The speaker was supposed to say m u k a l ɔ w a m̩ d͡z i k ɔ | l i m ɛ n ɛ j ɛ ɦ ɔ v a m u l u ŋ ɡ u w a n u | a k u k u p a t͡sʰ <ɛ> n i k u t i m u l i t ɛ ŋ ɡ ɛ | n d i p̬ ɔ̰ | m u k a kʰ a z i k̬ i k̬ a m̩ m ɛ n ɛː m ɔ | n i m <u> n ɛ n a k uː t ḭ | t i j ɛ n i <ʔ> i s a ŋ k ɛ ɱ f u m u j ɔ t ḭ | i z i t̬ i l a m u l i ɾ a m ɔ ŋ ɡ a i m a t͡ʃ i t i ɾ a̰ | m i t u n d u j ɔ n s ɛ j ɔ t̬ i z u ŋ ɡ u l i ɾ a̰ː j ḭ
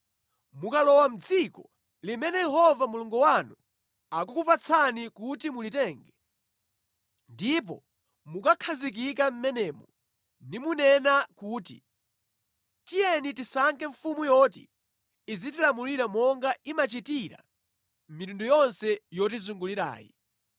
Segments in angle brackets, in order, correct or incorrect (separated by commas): incorrect, correct, incorrect